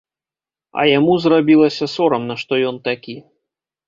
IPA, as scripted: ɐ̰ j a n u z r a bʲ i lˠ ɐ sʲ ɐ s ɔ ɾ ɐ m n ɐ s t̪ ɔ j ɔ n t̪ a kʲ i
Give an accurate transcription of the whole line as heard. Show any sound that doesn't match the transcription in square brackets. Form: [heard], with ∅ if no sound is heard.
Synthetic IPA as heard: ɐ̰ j a [m] u z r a bʲ i lˠ ɐ sʲ ɐ s ɔ ɾ ɐ m n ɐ [ʂ] t̪ ɔ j ɔ n t̪ a kʲ i